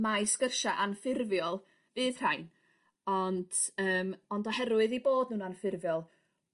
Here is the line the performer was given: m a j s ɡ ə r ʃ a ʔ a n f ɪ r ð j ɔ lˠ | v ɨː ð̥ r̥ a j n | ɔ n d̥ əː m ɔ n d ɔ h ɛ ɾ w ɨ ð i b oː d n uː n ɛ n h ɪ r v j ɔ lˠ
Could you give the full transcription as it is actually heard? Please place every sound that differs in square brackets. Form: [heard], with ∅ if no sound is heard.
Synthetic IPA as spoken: m a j s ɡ ə r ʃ a ʔ a n f ɪ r [v] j ɔ lˠ | v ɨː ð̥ r̥ a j n | ɔ n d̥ əː m ɔ n d ɔ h ɛ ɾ w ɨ ð i b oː d n uː n [a] n [f] ɪ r v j ɔ lˠ